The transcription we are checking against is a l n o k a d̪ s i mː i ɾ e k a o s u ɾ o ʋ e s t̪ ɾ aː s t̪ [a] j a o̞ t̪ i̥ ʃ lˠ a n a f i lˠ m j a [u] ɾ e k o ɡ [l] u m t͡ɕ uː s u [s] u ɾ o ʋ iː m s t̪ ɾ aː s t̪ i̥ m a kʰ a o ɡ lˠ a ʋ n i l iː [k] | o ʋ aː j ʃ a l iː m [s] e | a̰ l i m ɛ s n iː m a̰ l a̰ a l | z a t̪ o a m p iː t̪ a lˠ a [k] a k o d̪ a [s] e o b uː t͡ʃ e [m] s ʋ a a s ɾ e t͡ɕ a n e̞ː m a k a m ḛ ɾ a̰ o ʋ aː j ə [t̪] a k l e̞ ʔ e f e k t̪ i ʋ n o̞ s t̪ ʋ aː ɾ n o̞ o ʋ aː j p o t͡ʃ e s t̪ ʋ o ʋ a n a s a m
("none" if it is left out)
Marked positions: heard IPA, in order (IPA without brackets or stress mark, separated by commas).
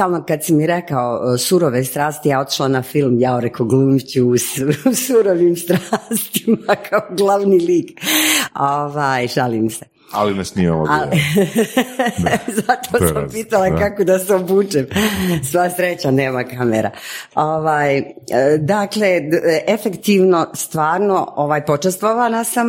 i, o, l, s, k, s, k, s, m, d̪